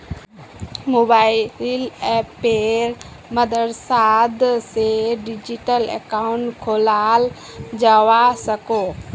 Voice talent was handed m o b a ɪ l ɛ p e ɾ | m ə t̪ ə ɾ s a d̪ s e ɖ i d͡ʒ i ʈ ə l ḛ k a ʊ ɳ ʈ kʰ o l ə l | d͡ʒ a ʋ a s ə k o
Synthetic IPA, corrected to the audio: m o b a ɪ l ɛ p e ɾ | m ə d̪ ə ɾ s a d̪ s e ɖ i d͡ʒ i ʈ ə l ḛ k a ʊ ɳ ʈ kʰ o l a l | d͡ʒ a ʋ a s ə k o